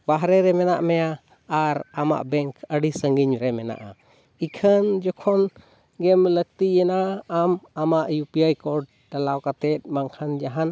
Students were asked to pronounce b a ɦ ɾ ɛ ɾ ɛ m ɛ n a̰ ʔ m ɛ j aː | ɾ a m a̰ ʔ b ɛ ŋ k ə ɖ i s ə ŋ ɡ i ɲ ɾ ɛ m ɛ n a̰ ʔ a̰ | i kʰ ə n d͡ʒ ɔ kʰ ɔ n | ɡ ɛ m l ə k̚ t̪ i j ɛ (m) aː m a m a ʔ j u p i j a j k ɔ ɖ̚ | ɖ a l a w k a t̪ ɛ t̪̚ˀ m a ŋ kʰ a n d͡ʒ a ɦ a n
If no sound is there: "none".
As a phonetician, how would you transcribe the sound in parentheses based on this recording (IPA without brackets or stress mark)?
n